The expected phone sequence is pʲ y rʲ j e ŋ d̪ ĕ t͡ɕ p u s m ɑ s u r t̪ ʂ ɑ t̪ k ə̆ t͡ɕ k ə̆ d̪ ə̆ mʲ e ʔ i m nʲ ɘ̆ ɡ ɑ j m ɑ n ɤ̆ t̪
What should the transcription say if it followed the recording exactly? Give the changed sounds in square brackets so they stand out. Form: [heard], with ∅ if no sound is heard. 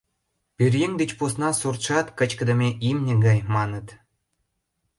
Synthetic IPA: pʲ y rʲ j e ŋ d̪ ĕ t͡ɕ p u s [n] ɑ s u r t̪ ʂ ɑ t̪ k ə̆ t͡ɕ k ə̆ d̪ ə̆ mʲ e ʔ i m nʲ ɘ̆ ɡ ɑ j m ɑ n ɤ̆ t̪